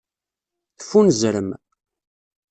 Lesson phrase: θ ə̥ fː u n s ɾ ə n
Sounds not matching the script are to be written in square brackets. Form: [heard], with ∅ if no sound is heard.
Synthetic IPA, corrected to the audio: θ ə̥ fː u n [z] ɾ ə [m]